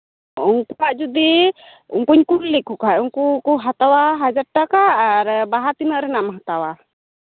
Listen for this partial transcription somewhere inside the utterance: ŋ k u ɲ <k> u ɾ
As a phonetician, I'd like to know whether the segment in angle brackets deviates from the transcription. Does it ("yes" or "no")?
no